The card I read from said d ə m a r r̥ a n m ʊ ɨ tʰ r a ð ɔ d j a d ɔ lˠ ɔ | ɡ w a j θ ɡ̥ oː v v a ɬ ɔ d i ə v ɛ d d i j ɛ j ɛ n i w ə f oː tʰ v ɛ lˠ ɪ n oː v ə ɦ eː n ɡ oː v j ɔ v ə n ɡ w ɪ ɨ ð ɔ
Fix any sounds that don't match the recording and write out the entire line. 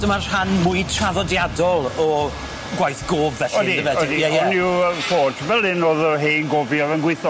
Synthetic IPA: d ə m a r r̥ a n m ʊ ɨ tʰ r a ð ɔ d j a d ɔ lˠ ɔ | ɡ w a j θ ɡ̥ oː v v ɛ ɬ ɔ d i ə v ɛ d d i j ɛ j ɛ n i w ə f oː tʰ v ɛ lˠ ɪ n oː ð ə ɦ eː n ɡ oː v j ɔ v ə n ɡ w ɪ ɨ θ ɔ